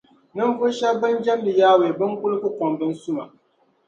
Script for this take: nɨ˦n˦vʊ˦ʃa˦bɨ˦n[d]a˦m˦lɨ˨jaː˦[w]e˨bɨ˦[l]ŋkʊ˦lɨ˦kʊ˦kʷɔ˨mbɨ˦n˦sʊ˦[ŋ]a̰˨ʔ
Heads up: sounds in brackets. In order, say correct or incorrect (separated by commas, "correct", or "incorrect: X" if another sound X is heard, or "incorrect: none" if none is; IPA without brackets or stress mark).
incorrect: d͡ʒ, correct, incorrect: none, incorrect: m